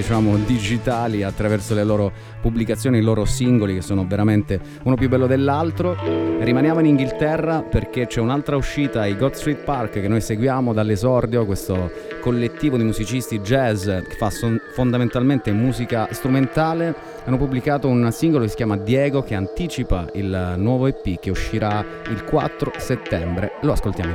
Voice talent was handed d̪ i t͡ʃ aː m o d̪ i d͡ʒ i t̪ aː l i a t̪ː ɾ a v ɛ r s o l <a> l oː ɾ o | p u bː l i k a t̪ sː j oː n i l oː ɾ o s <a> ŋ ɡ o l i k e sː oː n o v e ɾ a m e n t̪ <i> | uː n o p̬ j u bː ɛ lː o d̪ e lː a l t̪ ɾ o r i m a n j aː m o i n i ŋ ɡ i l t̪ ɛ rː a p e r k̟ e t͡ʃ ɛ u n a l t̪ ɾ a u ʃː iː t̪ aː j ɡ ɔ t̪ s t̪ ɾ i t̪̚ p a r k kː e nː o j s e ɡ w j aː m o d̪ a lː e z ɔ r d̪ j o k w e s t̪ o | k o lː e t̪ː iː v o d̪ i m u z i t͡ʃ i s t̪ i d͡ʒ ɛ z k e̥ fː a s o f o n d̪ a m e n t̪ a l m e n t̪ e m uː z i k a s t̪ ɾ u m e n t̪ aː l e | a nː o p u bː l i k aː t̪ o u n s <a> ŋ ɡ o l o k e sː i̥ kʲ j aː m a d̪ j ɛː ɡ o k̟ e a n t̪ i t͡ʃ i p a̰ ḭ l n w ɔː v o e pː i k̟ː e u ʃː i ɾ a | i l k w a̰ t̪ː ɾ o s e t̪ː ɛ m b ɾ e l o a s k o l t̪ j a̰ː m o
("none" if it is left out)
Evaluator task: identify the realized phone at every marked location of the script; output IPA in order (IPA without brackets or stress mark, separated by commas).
e, i, e, i